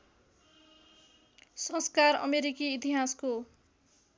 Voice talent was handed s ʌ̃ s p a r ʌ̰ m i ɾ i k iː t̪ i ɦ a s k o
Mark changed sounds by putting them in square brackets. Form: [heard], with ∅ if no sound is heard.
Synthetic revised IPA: s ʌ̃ s [k] a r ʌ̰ m [e] ɾ i k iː t̪ i ɦ a s k o